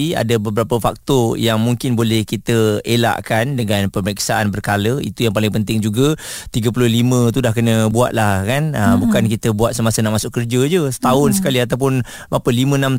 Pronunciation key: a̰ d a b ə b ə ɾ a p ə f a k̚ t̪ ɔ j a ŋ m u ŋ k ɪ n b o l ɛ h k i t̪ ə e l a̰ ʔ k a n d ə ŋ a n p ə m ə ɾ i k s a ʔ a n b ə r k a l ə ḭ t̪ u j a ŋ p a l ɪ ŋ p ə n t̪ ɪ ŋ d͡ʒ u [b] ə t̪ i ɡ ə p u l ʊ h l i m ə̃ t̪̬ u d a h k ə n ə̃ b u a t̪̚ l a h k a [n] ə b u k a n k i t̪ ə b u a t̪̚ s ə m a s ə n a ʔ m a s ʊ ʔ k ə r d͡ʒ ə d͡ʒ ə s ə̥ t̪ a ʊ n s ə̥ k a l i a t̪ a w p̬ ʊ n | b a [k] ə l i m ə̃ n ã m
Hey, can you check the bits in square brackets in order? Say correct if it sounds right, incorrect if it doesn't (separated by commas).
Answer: incorrect, correct, incorrect